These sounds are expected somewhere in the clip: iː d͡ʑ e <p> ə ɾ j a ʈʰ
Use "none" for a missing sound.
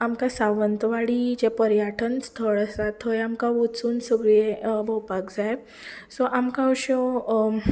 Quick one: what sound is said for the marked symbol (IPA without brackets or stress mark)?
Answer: p